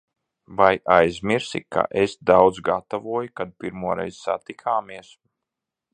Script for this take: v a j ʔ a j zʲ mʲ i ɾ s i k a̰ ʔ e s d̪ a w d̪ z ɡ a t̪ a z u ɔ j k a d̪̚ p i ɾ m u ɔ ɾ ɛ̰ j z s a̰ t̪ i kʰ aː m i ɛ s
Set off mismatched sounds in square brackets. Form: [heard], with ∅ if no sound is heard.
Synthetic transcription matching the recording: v a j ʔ a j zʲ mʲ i ɾ s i k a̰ ʔ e s d̪ a w d̪ z ɡ a t̪ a [v] u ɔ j k a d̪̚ p i ɾ m u ɔ ɾ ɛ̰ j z s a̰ t̪ i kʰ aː m i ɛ s